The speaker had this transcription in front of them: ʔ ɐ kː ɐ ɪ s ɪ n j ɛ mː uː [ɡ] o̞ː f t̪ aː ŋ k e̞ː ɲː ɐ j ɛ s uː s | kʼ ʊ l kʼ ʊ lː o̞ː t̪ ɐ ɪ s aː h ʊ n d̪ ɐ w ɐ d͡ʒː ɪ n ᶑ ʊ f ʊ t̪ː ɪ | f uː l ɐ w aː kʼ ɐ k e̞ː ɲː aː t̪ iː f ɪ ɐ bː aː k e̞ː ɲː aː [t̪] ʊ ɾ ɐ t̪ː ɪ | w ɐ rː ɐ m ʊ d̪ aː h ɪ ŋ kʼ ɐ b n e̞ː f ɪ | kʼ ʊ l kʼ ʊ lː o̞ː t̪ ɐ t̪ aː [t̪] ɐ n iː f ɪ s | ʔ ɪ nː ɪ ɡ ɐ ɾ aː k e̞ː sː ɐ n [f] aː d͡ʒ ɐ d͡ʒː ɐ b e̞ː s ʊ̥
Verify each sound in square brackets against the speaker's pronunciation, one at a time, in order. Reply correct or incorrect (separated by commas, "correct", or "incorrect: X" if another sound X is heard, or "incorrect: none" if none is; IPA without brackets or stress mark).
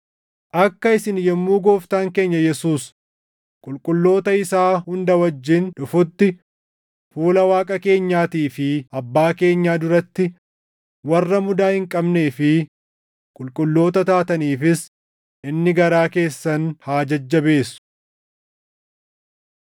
correct, incorrect: d̪, correct, incorrect: h